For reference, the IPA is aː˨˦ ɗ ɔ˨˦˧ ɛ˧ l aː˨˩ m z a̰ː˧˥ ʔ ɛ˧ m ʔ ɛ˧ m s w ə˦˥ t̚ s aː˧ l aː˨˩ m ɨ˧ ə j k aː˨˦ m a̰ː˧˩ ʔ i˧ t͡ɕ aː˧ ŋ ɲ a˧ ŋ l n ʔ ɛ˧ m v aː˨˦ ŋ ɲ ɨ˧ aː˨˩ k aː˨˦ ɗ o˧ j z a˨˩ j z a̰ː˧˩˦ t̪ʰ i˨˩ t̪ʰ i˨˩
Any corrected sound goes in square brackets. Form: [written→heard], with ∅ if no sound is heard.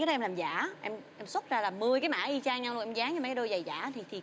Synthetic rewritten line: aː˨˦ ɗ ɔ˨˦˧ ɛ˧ l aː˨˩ m z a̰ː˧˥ ʔ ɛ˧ m ʔ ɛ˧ m s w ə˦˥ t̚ [s→z] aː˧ l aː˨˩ m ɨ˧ ə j k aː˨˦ m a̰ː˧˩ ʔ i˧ t͡ɕ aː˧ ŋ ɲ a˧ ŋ l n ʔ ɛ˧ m [v→z] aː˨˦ ŋ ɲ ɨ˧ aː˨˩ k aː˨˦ ɗ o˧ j z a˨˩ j z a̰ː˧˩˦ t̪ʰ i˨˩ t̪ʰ i˨˩